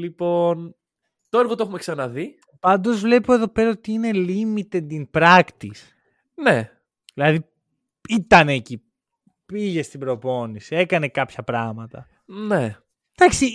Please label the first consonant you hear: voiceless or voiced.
voiced